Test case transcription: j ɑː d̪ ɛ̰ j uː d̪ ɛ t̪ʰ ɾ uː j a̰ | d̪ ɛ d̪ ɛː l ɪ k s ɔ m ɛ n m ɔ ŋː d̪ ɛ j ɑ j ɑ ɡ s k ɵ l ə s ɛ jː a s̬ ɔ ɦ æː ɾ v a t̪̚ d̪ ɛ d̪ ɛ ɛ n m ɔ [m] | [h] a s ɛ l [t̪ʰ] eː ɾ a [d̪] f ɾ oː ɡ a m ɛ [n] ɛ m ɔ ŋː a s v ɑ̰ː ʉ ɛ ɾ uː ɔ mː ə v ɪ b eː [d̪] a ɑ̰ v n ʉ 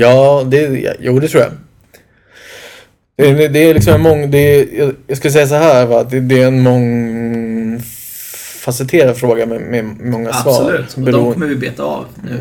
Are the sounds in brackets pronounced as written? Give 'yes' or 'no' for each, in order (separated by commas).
no, no, yes, yes, no, no